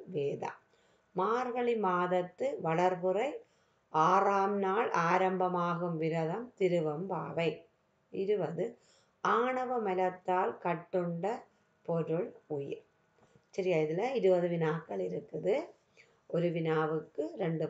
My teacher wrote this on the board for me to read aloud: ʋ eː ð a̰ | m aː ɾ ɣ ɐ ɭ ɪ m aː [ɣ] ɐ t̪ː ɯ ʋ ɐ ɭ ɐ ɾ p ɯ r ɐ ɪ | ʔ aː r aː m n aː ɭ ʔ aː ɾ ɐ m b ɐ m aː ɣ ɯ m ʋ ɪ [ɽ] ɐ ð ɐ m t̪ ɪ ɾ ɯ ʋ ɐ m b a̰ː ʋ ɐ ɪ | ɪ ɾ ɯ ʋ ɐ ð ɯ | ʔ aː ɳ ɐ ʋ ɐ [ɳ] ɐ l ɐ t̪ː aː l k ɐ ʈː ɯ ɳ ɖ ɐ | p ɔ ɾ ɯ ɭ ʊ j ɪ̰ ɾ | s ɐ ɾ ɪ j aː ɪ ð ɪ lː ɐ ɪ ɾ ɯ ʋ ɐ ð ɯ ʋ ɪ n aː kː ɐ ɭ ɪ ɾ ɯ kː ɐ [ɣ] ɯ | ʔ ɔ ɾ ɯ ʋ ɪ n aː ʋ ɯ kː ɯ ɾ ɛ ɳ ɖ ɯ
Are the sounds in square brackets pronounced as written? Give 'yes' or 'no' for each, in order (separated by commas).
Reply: no, no, no, no